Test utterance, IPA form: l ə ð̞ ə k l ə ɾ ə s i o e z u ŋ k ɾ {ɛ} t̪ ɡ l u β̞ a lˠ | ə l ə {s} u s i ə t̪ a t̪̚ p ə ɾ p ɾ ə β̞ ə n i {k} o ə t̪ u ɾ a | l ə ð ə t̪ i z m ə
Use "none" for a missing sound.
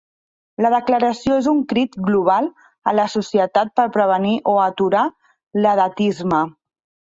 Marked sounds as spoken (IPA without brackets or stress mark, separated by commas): i, s, ʔ